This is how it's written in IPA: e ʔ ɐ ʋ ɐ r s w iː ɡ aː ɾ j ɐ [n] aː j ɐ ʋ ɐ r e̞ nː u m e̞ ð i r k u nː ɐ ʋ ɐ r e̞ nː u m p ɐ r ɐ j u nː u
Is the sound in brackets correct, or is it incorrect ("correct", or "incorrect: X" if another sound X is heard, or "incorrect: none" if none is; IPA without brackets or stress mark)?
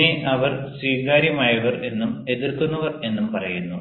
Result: incorrect: m